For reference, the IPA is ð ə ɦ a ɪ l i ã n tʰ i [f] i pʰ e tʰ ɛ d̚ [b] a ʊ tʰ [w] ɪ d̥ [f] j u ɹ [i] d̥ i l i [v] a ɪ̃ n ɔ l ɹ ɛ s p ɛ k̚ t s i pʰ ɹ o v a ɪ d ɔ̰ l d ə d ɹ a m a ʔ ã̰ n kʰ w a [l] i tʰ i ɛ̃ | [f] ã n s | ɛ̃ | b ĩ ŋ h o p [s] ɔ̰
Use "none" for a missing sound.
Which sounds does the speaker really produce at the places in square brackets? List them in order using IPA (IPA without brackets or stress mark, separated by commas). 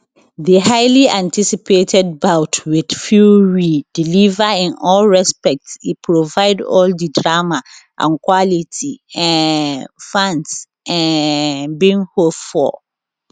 s, b, w, f, i, v, l, f, f